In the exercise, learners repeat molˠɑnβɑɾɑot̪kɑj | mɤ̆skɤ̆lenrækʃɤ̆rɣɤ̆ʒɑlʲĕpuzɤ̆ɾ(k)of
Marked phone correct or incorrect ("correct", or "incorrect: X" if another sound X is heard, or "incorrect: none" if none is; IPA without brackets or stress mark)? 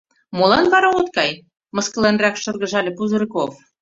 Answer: correct